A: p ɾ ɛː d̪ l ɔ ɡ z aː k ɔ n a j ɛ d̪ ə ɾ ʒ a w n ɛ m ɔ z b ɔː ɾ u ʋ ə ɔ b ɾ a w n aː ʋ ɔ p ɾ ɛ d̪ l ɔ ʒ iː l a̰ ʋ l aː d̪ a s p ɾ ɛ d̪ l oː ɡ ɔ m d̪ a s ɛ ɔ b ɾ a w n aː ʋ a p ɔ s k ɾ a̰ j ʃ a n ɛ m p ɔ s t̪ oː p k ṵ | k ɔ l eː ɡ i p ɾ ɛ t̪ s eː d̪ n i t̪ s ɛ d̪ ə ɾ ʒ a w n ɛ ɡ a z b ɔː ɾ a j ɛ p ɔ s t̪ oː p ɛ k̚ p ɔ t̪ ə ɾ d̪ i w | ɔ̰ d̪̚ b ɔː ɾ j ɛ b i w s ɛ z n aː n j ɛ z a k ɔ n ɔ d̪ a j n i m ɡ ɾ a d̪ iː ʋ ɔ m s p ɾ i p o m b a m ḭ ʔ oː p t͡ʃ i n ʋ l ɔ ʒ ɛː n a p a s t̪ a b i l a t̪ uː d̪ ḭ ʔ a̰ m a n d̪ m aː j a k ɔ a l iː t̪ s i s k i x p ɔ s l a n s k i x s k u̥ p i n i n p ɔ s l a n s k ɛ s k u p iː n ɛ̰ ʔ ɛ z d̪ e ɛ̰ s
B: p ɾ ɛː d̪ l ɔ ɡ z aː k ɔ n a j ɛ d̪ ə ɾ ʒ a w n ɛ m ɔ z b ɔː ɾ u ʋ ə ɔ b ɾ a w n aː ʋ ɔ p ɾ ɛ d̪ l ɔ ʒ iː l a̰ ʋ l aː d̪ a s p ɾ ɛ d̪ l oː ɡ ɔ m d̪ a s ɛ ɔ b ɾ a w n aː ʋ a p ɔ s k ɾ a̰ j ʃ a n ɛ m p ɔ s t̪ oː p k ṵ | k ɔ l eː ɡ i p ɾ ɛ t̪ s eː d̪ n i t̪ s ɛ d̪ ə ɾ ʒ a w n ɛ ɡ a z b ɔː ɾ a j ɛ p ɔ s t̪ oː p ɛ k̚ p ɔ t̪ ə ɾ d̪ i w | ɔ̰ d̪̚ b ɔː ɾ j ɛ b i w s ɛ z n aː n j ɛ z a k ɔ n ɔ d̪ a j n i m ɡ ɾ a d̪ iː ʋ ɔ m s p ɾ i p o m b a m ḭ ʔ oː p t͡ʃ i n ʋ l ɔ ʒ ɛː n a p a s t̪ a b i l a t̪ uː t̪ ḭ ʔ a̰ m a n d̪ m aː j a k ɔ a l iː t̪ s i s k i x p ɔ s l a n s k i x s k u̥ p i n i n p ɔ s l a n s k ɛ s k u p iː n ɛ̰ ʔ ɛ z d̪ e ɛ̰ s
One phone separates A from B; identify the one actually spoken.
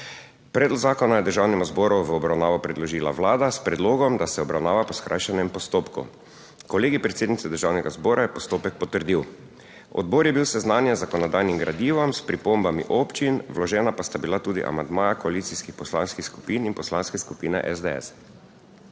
A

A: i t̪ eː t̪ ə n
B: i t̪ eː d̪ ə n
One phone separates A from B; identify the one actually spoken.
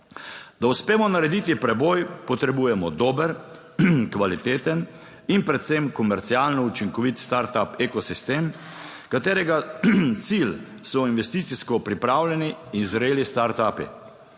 A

